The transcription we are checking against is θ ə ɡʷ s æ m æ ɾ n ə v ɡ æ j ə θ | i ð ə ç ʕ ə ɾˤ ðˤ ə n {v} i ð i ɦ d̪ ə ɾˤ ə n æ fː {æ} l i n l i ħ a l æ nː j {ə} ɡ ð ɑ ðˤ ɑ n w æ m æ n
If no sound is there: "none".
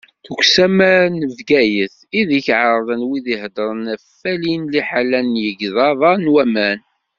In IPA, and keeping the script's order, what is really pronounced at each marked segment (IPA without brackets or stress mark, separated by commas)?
w, æ, ə